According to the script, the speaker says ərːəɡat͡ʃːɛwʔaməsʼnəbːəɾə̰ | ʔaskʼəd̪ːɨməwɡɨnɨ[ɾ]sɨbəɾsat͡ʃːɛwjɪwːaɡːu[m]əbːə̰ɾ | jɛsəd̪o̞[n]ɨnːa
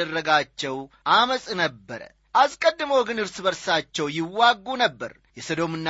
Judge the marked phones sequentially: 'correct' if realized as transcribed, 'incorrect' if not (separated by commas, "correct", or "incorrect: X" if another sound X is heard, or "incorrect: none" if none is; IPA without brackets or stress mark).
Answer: correct, incorrect: n, incorrect: m